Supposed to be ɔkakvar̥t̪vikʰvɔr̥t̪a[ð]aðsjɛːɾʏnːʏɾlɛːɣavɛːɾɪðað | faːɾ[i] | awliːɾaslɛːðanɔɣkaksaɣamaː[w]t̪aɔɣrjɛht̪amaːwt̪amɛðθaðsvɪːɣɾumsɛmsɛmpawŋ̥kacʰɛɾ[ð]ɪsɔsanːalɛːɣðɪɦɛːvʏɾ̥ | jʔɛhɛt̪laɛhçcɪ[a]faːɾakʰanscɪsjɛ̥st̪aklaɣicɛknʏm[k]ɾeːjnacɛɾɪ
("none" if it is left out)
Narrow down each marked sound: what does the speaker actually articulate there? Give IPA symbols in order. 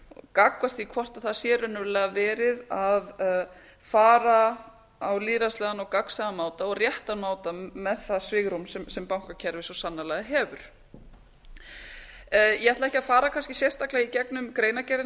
θ, a, w, v, a, k

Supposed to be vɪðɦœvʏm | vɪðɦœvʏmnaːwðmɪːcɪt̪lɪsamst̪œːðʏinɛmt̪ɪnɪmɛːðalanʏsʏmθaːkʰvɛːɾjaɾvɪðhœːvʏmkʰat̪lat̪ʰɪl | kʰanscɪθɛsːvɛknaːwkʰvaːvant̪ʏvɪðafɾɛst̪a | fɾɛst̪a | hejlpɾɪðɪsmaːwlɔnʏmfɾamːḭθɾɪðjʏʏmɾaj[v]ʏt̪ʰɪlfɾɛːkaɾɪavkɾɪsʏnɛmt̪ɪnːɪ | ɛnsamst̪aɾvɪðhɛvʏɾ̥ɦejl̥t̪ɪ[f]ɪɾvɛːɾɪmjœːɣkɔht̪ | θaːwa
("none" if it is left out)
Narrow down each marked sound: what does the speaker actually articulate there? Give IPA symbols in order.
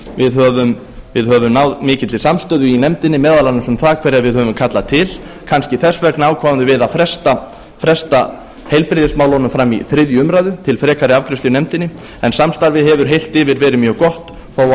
ð, v

